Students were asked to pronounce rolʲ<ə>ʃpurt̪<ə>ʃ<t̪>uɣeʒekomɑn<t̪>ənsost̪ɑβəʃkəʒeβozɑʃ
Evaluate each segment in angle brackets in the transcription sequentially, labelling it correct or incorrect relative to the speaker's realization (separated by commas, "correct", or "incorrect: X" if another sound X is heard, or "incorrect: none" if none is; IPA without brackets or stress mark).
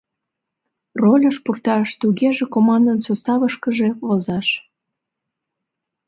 correct, incorrect: ɑ, correct, incorrect: d̪